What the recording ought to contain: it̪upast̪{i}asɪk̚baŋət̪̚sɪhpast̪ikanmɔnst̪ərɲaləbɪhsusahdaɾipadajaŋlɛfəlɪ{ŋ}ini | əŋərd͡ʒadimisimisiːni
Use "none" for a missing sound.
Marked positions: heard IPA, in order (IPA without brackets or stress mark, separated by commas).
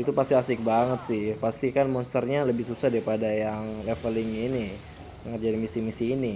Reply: i, ŋ